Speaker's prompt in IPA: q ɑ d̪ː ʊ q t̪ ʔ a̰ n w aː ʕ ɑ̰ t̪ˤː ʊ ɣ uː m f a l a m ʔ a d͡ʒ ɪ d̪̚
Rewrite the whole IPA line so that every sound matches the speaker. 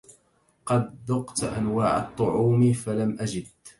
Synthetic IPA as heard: q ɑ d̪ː ʊ q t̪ ʔ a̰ n w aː ʕ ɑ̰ t̪ˤː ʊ ʕ uː m f a l a m ʔ a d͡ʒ ɪ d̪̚